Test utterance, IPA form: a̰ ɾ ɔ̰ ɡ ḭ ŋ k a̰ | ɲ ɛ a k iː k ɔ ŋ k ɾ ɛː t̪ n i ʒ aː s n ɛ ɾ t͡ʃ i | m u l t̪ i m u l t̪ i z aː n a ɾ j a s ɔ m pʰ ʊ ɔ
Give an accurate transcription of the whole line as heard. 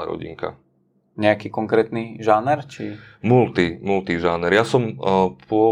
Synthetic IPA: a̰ ɾ ɔ̰ ɟ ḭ ŋ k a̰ | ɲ ɛ a k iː k ɔ ŋ k ɾ ɛː t̪ n i ʒ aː n ɛ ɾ t͡ʃ i | m u l t̪ i m u l t̪ i ʒ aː n ɛ ɾ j a s ɔ m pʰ ʊ ɔ